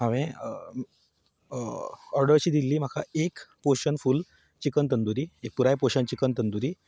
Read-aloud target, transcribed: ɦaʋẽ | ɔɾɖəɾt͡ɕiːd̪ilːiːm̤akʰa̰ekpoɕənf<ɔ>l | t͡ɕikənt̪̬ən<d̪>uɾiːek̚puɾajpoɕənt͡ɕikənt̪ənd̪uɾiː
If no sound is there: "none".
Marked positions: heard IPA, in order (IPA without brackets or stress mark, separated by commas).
u, d̪